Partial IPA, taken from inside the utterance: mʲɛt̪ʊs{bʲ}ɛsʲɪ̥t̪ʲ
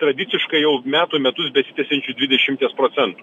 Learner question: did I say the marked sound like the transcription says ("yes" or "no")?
yes